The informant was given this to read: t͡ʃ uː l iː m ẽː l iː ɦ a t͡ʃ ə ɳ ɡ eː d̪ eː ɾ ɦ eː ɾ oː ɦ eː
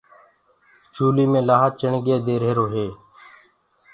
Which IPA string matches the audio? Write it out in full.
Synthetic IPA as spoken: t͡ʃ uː l iː m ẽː l aː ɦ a t͡ʃ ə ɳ ɡ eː d̪ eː ɾ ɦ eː ɾ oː ɦ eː